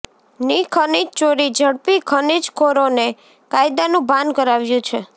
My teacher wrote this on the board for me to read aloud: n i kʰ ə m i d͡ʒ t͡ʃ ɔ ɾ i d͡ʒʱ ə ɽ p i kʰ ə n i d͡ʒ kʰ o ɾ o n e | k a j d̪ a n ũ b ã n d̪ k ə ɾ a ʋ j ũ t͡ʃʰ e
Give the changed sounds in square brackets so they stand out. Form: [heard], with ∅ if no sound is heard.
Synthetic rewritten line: n i kʰ ə [n] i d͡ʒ t͡ʃ [o] ɾ i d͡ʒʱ ə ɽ p i kʰ ə n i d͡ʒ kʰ o ɾ o n e | k a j d̪ a n ũ b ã n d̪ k ə ɾ a ʋ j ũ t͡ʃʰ e